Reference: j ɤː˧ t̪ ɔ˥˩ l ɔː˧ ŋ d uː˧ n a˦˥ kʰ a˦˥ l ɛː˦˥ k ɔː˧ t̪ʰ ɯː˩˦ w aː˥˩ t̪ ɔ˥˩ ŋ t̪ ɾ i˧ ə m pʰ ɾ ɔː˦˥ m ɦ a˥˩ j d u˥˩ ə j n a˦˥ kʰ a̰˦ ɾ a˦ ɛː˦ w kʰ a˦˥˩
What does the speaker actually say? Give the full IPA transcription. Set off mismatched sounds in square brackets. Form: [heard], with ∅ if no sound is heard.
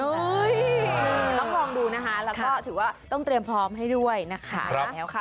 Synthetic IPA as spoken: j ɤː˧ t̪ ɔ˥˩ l ɔː˧ ŋ d uː˧ n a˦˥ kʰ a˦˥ l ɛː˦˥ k [ɔː˥˩] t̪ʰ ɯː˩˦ w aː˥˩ t̪ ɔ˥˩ ŋ t̪ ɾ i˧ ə m pʰ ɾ ɔː˦˥ m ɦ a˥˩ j d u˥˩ ə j n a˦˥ kʰ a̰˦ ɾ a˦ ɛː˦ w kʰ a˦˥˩

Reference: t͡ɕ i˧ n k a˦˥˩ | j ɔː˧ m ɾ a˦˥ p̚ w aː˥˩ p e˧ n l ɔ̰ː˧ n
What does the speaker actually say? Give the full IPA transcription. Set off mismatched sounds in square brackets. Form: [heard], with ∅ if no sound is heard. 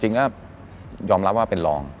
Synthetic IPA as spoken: t͡ɕ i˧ [ŋ] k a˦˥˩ | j ɔː˧ m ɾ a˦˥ p̚ w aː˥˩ p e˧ n l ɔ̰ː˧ [ŋ]

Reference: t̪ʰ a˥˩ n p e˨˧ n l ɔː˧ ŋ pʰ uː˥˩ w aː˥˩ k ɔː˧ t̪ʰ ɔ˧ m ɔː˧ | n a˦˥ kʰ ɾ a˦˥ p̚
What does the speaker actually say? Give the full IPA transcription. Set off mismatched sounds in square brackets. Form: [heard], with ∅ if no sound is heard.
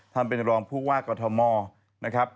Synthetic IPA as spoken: t̪ʰ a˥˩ n p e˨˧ n [ɾ] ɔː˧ ŋ pʰ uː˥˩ w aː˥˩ k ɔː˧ t̪ʰ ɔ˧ m ɔː˧ | n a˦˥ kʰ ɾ a˦˥ p̚

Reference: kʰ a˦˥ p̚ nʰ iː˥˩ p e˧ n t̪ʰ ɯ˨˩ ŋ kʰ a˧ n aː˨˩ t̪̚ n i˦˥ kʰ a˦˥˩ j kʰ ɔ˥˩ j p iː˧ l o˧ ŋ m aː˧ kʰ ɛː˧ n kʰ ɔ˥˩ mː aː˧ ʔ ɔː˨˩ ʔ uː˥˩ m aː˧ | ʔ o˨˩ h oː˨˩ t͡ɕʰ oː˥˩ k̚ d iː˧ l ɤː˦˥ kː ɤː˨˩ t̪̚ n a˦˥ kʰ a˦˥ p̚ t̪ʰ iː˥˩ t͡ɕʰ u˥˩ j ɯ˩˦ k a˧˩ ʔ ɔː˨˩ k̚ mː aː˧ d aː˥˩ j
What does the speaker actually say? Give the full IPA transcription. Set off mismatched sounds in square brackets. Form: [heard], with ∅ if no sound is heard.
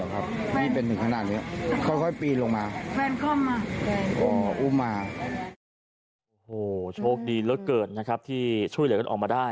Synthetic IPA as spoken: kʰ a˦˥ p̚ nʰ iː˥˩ p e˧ n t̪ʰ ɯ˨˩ ŋ kʰ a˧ n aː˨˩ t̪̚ n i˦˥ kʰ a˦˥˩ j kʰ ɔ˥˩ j p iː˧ l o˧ ŋ m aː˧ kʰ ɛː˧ n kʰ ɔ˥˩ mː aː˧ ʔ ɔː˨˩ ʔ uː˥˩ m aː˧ | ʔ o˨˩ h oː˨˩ t͡ɕʰ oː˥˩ k̚ d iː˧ l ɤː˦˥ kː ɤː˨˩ t̪̚ n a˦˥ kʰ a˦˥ p̚ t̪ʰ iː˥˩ t͡ɕʰ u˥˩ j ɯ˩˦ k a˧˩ ʔ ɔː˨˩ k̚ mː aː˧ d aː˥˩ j

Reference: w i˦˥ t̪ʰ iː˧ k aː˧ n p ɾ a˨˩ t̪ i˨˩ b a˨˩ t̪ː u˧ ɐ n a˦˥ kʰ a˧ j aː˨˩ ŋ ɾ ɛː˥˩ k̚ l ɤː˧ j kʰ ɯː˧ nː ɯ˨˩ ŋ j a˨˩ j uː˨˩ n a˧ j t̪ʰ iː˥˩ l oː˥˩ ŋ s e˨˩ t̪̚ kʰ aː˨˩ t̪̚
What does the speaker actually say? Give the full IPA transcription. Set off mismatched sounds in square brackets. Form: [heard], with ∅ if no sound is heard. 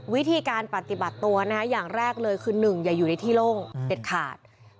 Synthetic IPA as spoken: w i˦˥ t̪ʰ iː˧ k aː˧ n p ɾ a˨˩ t̪ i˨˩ b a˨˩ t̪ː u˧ ɐ n a˦˥ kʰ [a˦˥] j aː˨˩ ŋ ɾ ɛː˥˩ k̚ l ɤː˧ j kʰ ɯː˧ [n] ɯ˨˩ ŋ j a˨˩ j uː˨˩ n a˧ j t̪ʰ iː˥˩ l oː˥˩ ŋ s e˨˩ t̪̚ kʰ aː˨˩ t̪̚

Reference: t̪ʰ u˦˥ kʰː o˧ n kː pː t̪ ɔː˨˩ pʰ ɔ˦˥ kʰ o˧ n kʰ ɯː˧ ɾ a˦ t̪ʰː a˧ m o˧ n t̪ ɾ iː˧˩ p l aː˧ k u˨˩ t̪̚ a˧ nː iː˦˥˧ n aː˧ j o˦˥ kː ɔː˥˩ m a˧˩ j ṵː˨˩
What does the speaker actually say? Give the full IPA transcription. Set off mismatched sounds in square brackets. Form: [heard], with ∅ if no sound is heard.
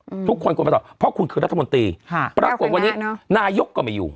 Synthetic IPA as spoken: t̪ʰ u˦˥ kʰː o˧ n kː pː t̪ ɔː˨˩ pʰ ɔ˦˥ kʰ [u˧] n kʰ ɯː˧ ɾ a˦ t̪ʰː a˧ m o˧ n t̪ ɾ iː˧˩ p [ɾ] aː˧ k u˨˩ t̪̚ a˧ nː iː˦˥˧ n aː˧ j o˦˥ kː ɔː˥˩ m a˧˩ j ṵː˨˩

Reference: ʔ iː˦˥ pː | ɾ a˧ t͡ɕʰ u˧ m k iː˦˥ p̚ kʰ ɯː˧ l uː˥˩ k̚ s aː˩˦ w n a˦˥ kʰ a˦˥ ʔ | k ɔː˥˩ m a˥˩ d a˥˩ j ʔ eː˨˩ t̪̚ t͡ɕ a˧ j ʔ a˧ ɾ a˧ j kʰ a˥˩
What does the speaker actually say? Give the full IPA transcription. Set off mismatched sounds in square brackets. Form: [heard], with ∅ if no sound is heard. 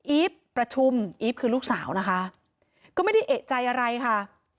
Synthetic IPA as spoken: ʔ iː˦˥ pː | ɾ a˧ t͡ɕʰ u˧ m [ʔ] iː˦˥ p̚ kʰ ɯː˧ l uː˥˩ k̚ s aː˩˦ w n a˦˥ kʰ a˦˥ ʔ | k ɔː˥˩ m a˥˩ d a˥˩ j ʔ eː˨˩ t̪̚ t͡ɕ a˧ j ʔ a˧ ɾ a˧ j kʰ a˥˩

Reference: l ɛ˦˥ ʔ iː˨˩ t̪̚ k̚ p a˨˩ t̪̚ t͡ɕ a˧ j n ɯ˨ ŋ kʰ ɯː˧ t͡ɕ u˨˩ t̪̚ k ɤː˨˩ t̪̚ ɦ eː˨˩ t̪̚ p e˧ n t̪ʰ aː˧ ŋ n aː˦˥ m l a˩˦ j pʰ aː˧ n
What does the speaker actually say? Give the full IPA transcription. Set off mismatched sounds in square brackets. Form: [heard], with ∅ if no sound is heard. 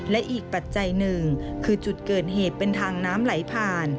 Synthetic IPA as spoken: l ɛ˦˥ ʔ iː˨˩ [∅] k̚ p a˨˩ t̪̚ t͡ɕ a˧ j n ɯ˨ ŋ kʰ ɯː˧ t͡ɕ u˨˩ t̪̚ k ɤː˨˩ t̪̚ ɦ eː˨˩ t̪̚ p e˧ n t̪ʰ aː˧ ŋ n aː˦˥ m l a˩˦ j pʰ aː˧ n

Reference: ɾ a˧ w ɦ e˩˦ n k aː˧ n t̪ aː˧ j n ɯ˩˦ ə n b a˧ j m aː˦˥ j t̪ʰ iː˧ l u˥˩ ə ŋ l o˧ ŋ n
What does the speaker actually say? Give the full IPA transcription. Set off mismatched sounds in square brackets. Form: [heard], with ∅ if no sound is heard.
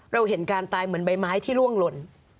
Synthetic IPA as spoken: ɾ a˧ w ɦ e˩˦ n k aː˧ n t̪ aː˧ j [m] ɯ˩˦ ə n b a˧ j m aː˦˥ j t̪ʰ [iː˥˩] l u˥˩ ə ŋ l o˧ [∅] n

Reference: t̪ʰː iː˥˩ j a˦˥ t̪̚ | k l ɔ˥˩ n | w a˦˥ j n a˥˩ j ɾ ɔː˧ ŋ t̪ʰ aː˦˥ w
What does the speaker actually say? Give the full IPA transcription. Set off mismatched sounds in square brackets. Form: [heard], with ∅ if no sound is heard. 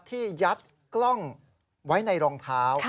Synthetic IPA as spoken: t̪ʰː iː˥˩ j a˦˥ t̪̚ | k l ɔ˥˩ [ŋ] | w a˦˥ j n [a˧] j ɾ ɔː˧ ŋ t̪ʰ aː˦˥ w

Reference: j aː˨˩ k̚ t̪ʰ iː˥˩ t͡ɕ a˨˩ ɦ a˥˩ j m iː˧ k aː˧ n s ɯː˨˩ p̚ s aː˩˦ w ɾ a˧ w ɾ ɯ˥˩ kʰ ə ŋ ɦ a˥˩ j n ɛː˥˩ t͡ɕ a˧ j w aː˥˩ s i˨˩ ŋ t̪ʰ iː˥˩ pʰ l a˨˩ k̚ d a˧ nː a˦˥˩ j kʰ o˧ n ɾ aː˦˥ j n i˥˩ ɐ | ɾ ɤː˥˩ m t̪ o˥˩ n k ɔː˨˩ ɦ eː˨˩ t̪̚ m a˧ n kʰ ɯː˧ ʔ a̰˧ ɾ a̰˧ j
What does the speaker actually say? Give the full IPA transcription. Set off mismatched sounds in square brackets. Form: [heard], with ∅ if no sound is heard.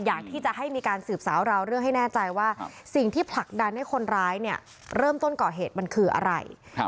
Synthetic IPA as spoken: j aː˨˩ k̚ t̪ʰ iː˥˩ t͡ɕ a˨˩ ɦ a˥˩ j m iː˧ k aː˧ n s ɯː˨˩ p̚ s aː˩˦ w ɾ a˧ w ɾ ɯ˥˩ [∅] ə ŋ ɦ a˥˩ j n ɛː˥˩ t͡ɕ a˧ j w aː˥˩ s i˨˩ ŋ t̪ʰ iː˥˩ pʰ l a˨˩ k̚ d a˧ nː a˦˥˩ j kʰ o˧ n ɾ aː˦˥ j n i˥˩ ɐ | ɾ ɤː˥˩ m t̪ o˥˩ n k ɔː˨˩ ɦ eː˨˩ t̪̚ m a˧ n kʰ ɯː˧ ʔ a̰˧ ɾ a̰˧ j

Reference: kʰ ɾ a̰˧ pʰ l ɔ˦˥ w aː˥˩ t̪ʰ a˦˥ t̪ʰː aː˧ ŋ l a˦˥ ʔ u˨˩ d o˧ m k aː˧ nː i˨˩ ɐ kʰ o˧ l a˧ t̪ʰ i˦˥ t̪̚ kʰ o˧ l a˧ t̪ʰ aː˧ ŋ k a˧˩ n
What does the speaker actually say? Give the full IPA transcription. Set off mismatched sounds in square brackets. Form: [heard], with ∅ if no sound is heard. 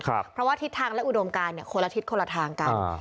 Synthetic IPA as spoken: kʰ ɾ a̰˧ pʰ [ɾ] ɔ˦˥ w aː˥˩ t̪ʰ [i˦˥] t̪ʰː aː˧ ŋ l [ɛ˦˥] ʔ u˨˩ d o˧ m k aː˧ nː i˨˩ ɐ kʰ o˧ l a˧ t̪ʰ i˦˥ t̪̚ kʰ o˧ l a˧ t̪ʰ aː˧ ŋ k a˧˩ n

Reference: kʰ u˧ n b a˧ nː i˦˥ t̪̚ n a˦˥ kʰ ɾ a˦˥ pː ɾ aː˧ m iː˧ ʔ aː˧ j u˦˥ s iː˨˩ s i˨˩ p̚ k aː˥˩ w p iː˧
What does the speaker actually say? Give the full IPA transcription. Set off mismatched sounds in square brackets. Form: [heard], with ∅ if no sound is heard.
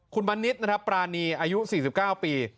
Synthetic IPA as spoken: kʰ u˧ n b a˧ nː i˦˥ t̪̚ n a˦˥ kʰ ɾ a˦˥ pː ɾ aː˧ [n] iː˧ ʔ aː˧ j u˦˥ s iː˨˩ s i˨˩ p̚ k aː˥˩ w p iː˧

